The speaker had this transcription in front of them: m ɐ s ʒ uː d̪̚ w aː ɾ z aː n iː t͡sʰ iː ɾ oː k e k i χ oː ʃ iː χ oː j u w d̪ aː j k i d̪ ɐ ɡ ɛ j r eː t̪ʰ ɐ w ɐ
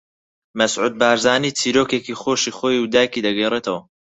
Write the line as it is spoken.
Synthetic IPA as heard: m ɐ s ʕ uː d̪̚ b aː ɾ z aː n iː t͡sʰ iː ɾ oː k e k i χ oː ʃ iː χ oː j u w d̪ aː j k i d̪ ɐ ɡ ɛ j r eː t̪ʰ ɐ w ɐ